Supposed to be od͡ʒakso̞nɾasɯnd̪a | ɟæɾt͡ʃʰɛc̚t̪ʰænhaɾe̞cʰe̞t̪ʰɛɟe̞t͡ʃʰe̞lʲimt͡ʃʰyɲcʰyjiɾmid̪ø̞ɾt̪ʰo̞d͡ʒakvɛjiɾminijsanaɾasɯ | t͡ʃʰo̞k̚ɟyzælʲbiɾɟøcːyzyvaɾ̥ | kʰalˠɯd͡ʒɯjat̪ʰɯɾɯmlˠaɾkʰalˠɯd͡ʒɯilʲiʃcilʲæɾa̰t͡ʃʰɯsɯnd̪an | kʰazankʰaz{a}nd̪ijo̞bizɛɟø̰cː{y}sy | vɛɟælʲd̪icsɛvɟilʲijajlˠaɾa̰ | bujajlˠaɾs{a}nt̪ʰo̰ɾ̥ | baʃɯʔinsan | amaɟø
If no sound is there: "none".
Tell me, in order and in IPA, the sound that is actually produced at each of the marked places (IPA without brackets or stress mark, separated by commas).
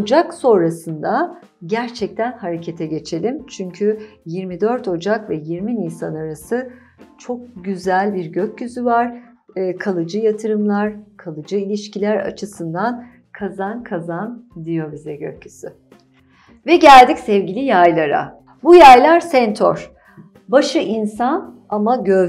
a, y, ɛ